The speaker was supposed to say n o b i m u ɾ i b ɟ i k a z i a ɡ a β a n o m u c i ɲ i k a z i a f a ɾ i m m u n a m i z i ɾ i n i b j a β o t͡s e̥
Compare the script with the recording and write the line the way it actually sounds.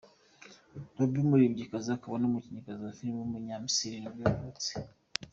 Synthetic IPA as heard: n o b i m u ɾ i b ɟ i k a z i a k a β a n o m u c i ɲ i k a z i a f i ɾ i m m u ɲ a m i s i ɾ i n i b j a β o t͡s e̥

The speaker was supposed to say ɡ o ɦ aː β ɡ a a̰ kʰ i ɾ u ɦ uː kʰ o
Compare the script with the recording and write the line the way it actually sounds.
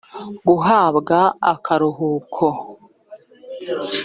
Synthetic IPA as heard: ɡ u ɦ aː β ɡ a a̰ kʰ a ɾ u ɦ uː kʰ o

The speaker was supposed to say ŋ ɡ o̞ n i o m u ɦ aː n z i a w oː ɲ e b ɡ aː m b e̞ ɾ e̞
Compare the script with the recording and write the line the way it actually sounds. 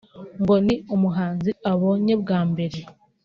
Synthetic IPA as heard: ŋ ɡ o̞ n i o m u ɦ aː n z i a β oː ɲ e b ɡ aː m b e̞ ɾ e̞

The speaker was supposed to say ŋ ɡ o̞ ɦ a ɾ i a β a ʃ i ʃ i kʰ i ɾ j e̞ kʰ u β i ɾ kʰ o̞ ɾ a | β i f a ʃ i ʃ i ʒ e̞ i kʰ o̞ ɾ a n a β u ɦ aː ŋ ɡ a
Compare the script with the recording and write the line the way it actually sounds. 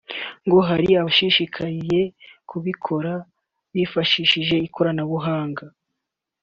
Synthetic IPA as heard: ŋ ɡ o̞ ɦ a ɾ i a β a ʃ i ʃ i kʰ a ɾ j e̞ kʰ u β i kʰ o̞ ɾ a | β i f a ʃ i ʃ i ʒ e̞ i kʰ o̞ ɾ a n a β u ɦ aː ŋ ɡ a

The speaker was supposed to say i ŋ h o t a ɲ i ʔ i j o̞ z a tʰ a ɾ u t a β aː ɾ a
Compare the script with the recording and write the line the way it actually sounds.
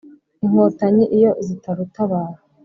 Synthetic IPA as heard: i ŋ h o t a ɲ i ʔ i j o̞ z i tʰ a ɾ u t a β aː ɾ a

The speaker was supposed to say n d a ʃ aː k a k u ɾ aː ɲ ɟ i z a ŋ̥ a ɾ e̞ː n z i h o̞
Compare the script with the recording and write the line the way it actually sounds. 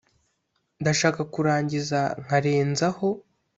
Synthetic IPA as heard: n d a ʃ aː k a k u ɾ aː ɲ ɟ i z a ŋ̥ a ɾ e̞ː n z a h o̞

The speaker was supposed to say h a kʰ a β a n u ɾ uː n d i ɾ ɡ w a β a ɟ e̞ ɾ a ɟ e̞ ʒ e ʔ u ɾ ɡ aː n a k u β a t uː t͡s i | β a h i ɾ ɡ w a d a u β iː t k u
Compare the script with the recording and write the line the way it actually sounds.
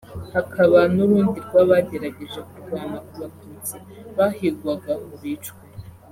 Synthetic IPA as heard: h a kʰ a β a n u ɾ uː n d i ɾ ɡ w a β a ɟ e̞ ɾ a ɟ e̞ ʒ e k u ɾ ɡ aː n a k u β a t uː t͡s i | β a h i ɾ ɡ w a ɡ a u β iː t͡ʃ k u

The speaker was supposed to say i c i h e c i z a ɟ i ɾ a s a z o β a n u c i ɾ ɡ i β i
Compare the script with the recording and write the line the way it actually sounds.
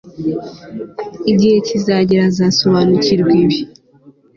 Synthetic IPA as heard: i ɟ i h e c i z a ɟ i ɾ a z a s o β a n u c i ɾ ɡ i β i

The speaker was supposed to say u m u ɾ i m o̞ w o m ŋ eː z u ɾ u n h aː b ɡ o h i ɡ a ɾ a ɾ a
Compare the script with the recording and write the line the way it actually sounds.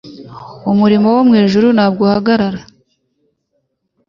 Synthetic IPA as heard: u m u ɾ i m o̞ w o m ŋ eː ʒ u ɾ u n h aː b ɡ o h a ɡ a ɾ a ɾ a

